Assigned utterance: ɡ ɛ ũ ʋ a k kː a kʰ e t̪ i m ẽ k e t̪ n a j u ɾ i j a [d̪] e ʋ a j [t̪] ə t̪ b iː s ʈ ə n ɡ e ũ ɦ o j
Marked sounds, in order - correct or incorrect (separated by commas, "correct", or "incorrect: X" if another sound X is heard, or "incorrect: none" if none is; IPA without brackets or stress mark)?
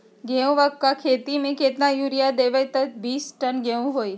correct, correct